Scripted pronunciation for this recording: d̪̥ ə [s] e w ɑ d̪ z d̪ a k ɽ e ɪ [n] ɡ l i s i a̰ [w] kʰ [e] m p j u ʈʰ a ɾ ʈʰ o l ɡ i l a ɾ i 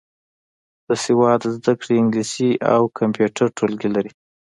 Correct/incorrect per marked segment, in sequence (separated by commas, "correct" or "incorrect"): correct, incorrect, correct, incorrect